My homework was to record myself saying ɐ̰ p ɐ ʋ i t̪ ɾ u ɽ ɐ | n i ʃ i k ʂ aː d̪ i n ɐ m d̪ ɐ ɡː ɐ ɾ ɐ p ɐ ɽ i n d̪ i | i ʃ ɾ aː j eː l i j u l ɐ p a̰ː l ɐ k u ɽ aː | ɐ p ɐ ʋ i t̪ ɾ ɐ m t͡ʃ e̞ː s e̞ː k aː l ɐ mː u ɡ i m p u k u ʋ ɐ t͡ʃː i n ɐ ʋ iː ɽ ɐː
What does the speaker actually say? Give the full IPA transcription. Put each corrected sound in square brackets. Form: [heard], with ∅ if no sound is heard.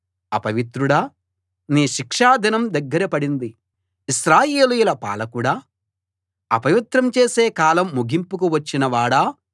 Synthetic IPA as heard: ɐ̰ p ɐ ʋ i t̪ ɾ u ɽ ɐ | n [iː] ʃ i k ʂ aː d̪ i n ɐ m d̪ ɐ ɡː ɐ ɾ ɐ p ɐ ɽ i n d̪ i | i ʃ ɾ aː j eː l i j u l ɐ p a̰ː l ɐ k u ɽ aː | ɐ p ɐ ʋ i t̪ ɾ ɐ m t͡ʃ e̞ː s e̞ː k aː l ɐ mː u ɡ i m p u k u ʋ ɐ t͡ʃː i n ɐ ʋ [aː] ɽ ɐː